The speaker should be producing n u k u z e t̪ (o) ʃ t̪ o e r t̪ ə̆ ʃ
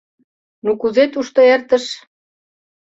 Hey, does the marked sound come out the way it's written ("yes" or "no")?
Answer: no